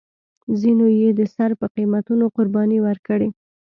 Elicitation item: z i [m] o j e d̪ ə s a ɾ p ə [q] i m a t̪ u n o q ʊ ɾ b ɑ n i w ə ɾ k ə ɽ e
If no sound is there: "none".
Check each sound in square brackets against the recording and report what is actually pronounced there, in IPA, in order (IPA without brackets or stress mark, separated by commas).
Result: n, q